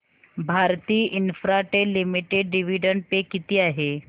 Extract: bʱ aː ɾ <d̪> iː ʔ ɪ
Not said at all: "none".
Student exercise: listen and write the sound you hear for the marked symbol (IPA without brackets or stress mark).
t̪